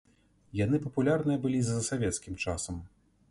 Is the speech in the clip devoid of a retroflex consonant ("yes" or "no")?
no